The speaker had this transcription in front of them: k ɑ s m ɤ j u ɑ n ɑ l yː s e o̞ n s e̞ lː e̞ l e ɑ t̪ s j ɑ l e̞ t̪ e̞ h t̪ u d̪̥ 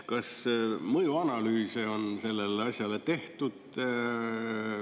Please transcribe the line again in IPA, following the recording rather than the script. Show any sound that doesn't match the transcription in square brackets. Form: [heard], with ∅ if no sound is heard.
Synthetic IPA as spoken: k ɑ s m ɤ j u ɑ n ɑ l yː s e o̞ n s e̞ lː e̞ l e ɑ [∅] s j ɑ l e̞ t̪ e̞ h t̪ u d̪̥